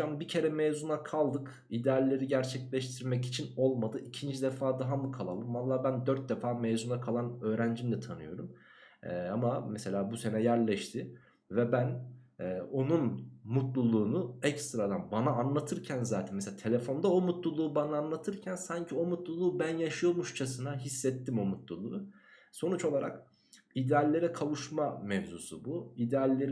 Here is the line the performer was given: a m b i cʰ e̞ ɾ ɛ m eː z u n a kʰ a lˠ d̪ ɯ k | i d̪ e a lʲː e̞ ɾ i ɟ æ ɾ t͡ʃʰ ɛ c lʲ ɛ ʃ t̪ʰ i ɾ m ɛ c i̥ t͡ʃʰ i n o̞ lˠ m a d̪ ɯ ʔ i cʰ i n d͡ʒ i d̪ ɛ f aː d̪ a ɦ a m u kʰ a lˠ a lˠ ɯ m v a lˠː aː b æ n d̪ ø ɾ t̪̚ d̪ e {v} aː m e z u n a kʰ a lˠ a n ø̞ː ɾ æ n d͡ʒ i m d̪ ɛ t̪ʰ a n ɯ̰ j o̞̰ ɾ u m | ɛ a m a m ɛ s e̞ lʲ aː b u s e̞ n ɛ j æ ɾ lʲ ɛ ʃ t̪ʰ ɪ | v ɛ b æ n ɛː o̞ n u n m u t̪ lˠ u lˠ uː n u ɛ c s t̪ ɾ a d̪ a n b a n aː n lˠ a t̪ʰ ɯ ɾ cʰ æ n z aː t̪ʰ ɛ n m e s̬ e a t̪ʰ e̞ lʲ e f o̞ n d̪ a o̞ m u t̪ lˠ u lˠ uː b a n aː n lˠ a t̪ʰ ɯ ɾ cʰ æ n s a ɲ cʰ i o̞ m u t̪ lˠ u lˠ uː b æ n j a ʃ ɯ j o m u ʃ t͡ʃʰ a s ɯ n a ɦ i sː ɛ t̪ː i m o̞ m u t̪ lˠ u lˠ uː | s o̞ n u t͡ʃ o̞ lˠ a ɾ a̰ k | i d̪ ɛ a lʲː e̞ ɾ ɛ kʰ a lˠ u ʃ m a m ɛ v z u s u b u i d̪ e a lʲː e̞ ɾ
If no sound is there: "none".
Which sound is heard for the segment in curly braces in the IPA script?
f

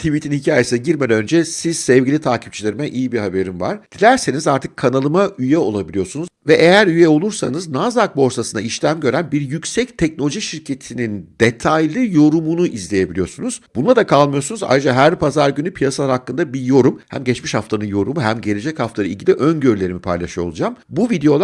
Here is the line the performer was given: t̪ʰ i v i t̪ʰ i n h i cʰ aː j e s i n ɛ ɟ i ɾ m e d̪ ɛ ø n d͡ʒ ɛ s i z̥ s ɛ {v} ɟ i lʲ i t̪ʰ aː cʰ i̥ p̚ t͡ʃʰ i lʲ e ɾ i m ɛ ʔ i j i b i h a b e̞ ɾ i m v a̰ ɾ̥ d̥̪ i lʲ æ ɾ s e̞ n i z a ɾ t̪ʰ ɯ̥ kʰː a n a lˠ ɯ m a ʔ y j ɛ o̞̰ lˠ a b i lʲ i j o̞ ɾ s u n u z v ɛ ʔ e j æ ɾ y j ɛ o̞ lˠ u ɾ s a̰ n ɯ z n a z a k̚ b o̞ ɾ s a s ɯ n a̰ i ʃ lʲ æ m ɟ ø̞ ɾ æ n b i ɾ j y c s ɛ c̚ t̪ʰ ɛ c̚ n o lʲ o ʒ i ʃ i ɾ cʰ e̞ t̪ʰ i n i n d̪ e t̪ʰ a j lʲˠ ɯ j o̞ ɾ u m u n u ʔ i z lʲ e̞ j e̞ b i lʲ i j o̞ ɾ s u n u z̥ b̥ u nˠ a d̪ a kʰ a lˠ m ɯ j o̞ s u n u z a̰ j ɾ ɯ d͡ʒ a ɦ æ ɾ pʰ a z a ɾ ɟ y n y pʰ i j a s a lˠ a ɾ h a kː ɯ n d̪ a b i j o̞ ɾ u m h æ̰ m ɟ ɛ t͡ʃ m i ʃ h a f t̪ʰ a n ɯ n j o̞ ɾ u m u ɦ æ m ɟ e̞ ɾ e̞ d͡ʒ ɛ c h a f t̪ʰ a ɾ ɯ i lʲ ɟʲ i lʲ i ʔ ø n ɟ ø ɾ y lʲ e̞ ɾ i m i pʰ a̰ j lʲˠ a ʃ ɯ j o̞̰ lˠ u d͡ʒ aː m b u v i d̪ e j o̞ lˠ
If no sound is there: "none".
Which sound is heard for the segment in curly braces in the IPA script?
v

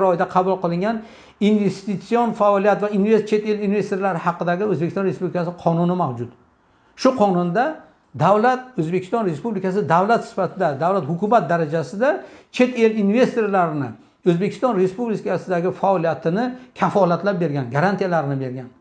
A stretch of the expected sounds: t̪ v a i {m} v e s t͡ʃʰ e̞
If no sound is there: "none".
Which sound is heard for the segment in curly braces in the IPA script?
n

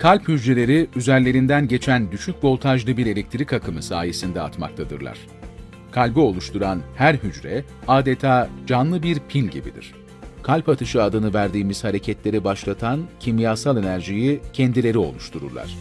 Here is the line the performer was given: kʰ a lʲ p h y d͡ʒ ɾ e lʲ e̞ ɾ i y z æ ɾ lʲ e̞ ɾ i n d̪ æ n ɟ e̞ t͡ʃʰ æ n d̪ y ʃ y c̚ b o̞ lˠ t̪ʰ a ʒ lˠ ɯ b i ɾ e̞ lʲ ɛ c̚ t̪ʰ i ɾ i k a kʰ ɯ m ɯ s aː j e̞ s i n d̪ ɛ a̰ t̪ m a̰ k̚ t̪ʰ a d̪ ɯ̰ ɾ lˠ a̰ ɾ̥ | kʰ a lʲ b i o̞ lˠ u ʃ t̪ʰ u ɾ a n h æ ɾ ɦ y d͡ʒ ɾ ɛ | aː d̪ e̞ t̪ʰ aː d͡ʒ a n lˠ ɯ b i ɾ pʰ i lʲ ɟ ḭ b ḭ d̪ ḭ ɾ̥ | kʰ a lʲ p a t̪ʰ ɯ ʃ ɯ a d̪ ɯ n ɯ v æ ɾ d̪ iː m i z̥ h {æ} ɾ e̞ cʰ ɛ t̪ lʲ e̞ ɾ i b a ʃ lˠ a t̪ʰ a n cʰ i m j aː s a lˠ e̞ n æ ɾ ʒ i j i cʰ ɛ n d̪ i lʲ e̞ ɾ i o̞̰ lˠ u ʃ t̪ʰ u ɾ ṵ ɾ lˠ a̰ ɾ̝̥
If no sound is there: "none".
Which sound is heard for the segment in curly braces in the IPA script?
a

